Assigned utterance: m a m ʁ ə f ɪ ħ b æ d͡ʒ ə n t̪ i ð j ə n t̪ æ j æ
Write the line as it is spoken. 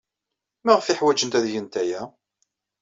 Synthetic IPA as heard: m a ʁ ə f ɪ ħ w æ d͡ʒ ə n t̪ æ ð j ə n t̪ æ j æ